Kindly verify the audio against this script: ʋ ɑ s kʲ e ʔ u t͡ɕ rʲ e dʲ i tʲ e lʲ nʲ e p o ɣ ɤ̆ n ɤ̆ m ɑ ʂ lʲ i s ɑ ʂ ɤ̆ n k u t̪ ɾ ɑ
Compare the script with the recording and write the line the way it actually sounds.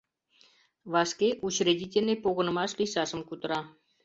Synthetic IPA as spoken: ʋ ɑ s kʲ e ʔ u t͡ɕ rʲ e dʲ i tʲ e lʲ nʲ e p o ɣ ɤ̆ n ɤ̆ m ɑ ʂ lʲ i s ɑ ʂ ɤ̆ m k u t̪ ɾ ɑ

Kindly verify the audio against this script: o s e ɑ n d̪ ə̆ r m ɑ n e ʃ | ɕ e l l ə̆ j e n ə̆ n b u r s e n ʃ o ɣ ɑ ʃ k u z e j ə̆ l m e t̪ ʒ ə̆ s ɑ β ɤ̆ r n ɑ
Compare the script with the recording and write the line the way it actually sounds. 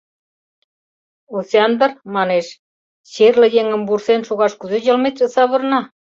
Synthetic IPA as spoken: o s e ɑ n d̪ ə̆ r m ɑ n e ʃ | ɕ e r l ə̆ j e ŋ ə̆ m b u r s e n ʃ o ɣ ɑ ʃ k u z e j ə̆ l m e t̪ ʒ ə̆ s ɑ β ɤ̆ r n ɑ

